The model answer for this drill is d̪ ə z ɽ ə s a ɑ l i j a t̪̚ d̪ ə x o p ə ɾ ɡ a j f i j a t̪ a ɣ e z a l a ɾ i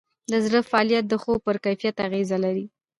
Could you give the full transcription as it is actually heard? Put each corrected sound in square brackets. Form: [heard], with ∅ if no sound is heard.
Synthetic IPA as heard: d̪ ə z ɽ ə [f] a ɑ l i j a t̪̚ d̪ ə x o p ə ɾ [k] a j f i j a t̪ a ɣ e z a l a ɾ i